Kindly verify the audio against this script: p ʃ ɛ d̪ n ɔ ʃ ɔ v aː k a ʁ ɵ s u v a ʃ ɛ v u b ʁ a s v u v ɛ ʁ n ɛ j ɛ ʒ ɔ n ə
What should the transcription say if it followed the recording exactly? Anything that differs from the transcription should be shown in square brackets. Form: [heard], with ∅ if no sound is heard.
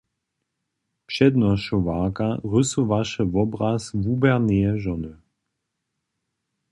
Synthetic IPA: p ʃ ɛ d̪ n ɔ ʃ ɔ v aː k a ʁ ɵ s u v a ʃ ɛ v [ɔ] b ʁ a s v u [b] ɛ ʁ n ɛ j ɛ ʒ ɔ n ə